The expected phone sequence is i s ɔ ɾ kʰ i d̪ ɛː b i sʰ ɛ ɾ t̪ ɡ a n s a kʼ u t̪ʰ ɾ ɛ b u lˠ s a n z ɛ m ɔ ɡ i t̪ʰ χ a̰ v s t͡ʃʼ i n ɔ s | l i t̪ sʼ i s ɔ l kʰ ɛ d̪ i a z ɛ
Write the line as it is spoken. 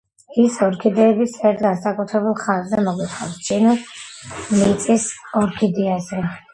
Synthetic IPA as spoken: i s ɔ ɾ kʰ i d̪ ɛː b i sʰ ɛ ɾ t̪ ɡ a n s a kʼ u t̪ʰ ɾ ɛ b u lˠ χ a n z ɛ m ɔ ɡ i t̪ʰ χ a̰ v s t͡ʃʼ i n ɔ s | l i t̪ sʼ i s ɔ ɾ kʰ i d̪ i a z ɛ